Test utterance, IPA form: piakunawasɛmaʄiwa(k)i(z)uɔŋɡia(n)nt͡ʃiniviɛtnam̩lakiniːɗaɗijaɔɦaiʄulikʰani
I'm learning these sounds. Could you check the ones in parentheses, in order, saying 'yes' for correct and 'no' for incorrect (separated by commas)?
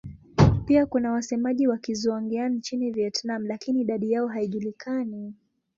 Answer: yes, yes, yes